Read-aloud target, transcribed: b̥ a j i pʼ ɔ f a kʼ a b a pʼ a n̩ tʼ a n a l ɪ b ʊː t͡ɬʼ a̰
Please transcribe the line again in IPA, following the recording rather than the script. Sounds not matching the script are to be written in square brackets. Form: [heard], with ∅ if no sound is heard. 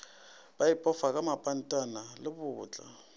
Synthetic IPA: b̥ a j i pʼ ɔ f a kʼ a [m] a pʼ a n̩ tʼ a n a l ɪ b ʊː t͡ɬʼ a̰

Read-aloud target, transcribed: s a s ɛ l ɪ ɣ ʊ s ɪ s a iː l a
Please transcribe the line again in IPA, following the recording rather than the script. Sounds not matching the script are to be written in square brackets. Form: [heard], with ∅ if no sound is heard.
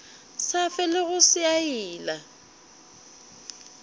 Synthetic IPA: s a [f] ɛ l ɪ ɣ ʊ s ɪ [∅] a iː l a

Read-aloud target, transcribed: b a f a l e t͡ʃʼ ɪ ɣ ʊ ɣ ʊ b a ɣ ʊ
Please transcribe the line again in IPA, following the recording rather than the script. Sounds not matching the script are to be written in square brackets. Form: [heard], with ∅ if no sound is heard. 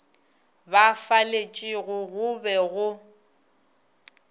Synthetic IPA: b a f a l e t͡ʃʼ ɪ ɣ ʊ ɣ ʊ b [ɛ] ɣ ʊ

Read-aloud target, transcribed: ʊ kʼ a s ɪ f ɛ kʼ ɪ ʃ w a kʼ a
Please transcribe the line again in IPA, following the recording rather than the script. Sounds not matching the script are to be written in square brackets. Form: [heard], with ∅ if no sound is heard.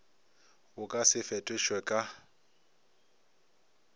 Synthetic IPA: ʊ kʼ a s ɪ f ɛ [tʼ] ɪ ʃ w [ɛ] kʼ a

